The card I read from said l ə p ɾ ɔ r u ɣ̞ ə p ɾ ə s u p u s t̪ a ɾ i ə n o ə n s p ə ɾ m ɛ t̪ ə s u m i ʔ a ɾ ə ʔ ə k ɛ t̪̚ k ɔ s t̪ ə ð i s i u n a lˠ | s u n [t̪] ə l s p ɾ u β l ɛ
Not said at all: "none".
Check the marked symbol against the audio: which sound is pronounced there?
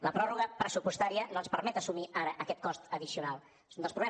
d̪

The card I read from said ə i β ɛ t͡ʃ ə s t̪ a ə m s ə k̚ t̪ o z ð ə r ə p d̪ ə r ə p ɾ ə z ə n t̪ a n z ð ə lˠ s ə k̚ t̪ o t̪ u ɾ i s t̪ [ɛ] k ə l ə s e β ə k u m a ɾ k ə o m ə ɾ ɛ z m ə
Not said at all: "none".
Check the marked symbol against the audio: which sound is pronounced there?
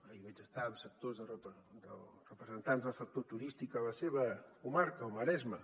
i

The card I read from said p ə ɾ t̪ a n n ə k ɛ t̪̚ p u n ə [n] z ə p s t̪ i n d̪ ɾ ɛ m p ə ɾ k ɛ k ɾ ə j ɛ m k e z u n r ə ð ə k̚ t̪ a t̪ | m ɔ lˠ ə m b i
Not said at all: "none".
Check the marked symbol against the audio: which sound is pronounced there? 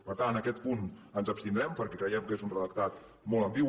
n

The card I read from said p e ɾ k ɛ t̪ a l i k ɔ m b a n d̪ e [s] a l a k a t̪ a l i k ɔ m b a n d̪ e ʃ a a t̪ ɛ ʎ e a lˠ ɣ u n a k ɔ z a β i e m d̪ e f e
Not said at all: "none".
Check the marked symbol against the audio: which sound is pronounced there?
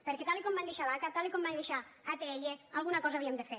ʃ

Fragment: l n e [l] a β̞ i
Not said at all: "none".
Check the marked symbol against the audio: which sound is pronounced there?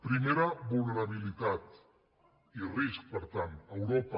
ɾ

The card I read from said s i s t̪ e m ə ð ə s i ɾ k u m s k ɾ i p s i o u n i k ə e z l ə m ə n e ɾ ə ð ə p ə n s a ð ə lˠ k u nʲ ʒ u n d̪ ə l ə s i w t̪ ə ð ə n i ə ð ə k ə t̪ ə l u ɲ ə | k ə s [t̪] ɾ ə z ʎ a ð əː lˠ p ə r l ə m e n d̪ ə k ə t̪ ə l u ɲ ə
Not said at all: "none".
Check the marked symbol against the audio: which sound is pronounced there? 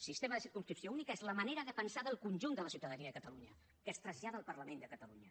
t̪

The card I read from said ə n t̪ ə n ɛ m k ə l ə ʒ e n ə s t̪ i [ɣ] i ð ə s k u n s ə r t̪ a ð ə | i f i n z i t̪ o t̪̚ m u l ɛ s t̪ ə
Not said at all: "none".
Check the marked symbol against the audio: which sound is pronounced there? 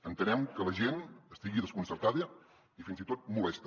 ɣ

